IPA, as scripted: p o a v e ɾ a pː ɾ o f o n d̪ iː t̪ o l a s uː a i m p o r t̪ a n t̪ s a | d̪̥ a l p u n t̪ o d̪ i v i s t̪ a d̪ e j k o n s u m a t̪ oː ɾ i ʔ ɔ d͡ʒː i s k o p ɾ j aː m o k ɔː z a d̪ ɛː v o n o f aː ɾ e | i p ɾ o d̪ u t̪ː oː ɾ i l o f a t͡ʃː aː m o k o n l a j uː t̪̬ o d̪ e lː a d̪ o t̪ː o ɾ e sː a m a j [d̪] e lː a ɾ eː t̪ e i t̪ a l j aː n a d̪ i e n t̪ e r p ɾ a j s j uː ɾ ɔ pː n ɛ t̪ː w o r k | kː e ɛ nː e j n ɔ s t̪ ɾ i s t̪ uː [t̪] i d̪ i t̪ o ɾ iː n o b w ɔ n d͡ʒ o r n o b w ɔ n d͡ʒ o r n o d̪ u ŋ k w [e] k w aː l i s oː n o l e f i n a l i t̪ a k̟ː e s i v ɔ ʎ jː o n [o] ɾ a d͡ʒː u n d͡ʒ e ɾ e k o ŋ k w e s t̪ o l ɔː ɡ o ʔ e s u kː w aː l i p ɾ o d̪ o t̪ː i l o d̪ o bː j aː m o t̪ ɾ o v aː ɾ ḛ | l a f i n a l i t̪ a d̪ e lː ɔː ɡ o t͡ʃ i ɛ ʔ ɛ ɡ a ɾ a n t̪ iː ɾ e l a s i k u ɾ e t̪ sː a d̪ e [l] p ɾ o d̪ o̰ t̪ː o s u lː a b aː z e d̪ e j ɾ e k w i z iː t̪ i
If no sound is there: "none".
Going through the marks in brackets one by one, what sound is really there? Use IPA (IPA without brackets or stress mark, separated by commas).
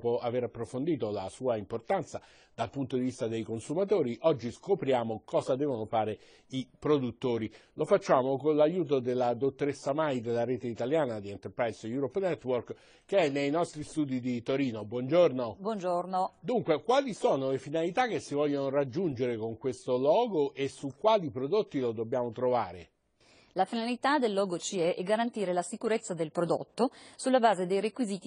d̪, d̪, e, o, l